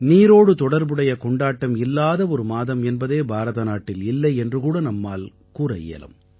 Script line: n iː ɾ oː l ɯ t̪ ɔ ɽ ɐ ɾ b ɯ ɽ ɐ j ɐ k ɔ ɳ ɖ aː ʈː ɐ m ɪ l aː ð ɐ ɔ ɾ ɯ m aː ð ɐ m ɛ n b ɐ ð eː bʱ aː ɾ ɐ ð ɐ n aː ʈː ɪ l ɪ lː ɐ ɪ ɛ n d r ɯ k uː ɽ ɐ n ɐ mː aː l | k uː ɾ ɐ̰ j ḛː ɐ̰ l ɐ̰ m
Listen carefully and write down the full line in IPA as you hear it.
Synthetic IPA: n iː ɾ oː ɽ ɯ t̪ ɔ ɽ ɐ ɾ b ɯ ɽ ɐ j ɐ k ɔ ɳ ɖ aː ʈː ɐ m ɪ lː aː ð ɐ ɔ ɾ ɯ m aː ð ɐ m ɛ n b ɐ ð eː bʱ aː ɾ ɐ ð ɐ n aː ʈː ɪ l ɪ lː ɐ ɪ ɛ n d r ɯ k uː ɽ ɐ n ɐ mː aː l | k uː ɾ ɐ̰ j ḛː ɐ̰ l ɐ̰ m